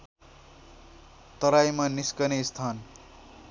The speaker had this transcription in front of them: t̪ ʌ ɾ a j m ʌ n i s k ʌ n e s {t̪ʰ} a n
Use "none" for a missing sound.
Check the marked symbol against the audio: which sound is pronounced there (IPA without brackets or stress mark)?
t̪ʰ